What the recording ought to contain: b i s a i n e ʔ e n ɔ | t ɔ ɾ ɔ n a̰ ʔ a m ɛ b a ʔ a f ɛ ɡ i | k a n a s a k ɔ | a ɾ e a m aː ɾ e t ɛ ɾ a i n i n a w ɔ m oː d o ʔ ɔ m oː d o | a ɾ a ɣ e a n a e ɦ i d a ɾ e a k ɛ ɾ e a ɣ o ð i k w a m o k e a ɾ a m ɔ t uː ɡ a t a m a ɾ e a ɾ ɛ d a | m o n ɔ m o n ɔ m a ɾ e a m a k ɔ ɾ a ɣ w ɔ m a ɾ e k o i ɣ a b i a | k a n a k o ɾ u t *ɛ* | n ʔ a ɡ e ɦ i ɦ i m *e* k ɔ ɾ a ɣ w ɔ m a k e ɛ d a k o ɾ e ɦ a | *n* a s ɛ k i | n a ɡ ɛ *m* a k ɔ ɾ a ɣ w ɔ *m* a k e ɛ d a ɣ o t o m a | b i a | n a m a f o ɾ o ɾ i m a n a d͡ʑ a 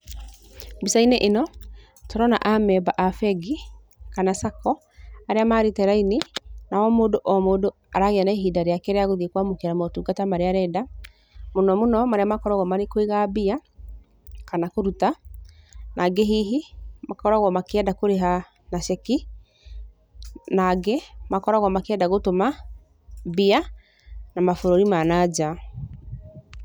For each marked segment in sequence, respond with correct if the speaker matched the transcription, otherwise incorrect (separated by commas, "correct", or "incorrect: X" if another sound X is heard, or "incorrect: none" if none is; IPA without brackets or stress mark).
incorrect: a, incorrect: a, correct, correct, correct